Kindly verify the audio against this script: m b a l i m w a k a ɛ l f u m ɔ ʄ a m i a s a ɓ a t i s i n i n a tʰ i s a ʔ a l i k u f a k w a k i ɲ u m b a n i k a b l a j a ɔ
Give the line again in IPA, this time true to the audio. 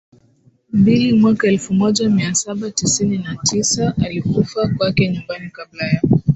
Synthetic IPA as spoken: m b i l i m w a k a ɛ l f u m ɔ ʄ a m i a s a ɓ a t i s i n i n a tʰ i s a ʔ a l i k u f a k w a k ɛ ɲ u m b a n i k a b l a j a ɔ